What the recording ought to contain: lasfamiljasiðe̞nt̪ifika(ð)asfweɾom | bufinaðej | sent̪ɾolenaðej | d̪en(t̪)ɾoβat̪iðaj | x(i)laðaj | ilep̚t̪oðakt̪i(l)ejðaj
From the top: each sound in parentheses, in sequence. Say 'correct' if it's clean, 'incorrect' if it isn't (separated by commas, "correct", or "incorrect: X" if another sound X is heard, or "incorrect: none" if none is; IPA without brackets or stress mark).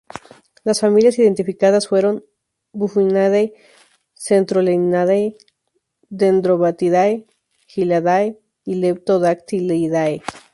correct, incorrect: d̪, correct, correct